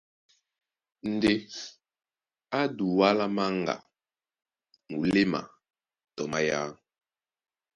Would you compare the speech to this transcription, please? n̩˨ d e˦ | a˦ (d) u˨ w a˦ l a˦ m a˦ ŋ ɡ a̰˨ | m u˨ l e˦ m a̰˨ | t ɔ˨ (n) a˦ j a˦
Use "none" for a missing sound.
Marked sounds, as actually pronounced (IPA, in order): d, m

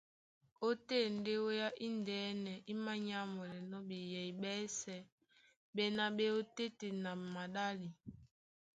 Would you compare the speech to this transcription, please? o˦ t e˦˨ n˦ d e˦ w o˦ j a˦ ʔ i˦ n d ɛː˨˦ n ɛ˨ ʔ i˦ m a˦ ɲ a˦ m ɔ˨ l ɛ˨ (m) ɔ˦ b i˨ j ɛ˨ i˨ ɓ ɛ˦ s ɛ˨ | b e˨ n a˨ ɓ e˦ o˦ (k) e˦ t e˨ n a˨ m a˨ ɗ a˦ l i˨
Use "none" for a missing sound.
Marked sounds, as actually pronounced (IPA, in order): n, t

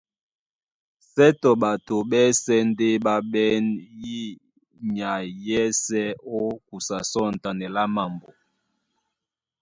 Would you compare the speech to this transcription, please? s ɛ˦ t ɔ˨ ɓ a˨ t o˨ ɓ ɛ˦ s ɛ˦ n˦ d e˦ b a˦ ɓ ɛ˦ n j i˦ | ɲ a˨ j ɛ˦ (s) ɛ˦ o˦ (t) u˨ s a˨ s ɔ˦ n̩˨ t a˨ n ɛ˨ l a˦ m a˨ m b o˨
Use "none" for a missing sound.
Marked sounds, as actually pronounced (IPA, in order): s, k

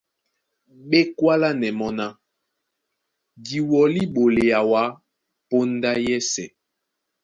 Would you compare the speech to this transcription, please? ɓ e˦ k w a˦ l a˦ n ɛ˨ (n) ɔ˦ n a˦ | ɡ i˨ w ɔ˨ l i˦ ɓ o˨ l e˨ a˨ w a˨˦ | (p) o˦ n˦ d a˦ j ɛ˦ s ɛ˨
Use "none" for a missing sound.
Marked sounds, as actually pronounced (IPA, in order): m, p

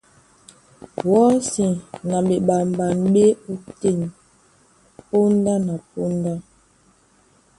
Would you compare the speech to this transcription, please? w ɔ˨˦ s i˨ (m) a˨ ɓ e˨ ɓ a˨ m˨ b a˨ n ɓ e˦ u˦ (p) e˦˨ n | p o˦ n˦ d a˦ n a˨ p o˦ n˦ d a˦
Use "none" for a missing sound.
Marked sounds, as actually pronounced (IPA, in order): n, t

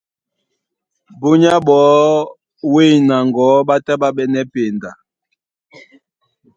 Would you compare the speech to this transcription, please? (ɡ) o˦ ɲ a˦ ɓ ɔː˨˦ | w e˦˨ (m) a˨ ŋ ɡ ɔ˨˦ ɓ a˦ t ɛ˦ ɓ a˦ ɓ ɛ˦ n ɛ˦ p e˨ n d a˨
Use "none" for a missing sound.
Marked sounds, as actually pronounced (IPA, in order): b, n

